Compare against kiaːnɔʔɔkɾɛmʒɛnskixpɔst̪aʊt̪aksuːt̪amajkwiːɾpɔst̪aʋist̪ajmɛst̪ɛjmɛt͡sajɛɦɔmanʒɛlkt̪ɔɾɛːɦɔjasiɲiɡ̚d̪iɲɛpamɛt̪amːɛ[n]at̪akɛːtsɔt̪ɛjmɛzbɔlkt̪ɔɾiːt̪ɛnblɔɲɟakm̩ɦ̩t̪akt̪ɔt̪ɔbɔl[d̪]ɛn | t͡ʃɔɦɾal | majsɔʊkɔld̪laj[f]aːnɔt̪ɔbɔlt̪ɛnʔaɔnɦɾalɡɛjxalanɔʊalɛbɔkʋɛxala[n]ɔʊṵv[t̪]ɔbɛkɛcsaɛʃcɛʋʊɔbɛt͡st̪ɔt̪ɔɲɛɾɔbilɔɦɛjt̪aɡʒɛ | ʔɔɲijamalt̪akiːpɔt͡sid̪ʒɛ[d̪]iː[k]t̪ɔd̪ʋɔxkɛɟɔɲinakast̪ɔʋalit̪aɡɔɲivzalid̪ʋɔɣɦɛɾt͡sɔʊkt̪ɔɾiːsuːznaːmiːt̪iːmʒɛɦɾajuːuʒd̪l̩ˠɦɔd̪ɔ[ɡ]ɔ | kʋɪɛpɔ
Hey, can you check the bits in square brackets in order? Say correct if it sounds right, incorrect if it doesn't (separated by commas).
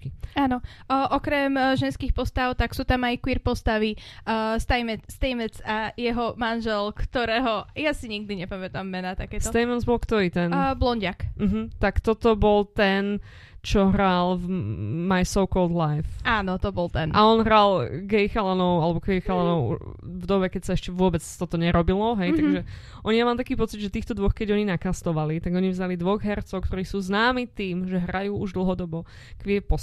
correct, incorrect, correct, correct, incorrect, incorrect, incorrect, incorrect